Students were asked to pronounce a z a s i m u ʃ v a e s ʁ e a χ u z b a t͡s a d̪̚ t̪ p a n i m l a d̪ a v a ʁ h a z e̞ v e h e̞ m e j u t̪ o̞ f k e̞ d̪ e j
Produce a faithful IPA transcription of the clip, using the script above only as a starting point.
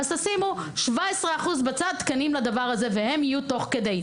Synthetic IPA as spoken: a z a s i m u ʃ v a e s ʁ e a χ u z b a t͡s a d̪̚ t̪ k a n i m l a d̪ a v a ʁ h a z e̞ v e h e̞ m i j u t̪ o̞ χ k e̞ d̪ e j